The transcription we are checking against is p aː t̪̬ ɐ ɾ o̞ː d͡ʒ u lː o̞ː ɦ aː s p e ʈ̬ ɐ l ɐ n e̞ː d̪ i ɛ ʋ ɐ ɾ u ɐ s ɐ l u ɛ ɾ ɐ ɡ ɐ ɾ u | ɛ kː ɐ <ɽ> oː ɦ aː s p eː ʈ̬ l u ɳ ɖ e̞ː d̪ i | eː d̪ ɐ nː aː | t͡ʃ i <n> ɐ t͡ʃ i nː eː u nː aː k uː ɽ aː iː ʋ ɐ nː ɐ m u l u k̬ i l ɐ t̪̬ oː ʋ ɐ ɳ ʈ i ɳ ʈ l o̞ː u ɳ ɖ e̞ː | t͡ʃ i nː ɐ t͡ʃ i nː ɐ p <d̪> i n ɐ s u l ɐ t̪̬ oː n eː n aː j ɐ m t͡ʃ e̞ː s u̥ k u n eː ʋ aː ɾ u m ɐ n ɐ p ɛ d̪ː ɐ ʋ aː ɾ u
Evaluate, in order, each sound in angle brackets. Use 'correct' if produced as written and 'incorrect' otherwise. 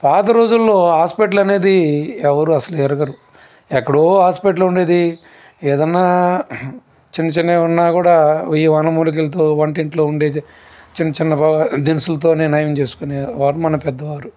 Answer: correct, incorrect: nː, correct

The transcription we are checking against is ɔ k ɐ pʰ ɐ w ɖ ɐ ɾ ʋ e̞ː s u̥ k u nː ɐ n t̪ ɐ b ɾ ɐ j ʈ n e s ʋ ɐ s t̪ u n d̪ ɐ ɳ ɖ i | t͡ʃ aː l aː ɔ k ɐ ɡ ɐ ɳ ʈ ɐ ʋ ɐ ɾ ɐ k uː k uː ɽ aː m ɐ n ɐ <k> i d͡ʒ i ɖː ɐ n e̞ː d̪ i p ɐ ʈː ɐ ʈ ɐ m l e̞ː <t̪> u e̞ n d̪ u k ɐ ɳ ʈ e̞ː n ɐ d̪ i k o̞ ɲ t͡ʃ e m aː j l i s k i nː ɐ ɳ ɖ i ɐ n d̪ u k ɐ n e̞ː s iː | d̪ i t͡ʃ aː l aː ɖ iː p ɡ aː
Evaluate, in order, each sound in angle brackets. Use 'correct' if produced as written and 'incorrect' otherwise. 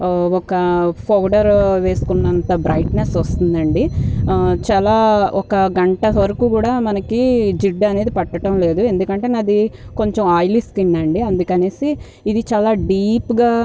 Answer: correct, incorrect: d̪

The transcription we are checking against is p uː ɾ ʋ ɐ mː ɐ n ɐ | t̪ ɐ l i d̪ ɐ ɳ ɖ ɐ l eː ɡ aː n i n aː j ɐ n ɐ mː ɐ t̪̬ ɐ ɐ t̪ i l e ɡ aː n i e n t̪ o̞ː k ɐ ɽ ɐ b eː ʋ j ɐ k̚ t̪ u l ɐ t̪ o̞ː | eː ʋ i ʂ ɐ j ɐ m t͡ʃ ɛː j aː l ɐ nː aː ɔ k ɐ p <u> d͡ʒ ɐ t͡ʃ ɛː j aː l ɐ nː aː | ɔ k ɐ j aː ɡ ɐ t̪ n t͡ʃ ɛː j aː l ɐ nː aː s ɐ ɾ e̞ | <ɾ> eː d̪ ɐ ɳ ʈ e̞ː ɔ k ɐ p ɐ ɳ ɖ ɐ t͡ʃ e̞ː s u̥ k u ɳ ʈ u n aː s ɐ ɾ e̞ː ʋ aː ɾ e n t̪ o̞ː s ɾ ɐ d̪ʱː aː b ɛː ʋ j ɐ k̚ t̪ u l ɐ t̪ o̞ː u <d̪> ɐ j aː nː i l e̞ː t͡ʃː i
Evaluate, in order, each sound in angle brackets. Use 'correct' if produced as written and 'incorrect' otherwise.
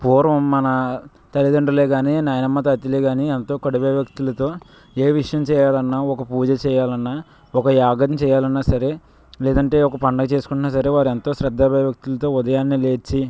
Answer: incorrect: uː, incorrect: l, correct

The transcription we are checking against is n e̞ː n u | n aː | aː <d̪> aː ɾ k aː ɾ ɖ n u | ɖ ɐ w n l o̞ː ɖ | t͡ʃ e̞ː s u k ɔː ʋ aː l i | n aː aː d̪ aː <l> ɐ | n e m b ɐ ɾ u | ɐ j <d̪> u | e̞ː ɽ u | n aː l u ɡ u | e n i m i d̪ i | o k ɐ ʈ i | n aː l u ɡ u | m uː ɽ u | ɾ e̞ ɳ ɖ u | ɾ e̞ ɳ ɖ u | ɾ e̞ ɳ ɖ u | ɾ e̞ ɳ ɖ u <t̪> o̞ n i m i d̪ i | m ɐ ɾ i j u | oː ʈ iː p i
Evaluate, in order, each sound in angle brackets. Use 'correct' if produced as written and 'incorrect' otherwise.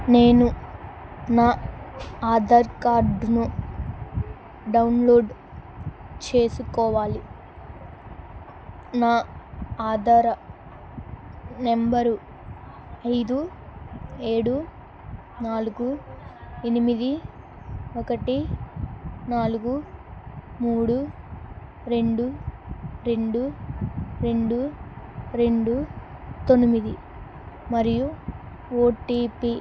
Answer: correct, incorrect: ɾ, correct, correct

